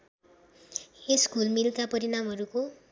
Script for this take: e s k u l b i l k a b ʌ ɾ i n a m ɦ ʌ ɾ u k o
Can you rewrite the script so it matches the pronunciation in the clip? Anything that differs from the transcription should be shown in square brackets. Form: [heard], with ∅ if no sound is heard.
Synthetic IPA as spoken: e s k u l [m] i l k a [p] ʌ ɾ i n a m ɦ ʌ ɾ u k o